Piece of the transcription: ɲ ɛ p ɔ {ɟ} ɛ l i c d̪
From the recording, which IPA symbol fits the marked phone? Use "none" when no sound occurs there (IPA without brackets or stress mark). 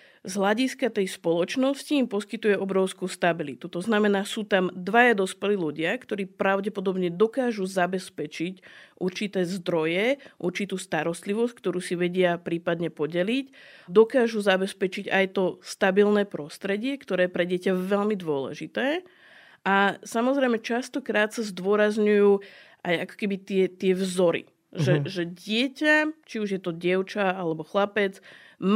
ɟ